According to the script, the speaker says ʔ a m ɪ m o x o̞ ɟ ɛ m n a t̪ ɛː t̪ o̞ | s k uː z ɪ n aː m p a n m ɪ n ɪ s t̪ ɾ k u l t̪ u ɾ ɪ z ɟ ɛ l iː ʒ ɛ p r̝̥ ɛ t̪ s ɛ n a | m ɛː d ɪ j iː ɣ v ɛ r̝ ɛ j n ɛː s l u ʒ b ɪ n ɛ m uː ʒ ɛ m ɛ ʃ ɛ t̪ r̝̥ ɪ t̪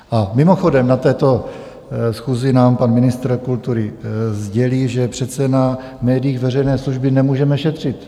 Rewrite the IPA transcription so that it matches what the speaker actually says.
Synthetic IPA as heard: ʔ a m ɪ m o x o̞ d ɛ m n a t̪ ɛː t̪ o̞ | s x uː z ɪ n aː m p a n m ɪ n ɪ s t̪ ɾ k u l t̪ u ɾ ɪ z ɟ ɛ l iː ʒ ɛ p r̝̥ ɛ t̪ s ɛ n a | m ɛː d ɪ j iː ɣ v ɛ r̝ ɛ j n ɛː s l u ʒ b ɪ n ɛ m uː ʒ ɛ m ɛ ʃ ɛ t̪ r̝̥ ɪ t̪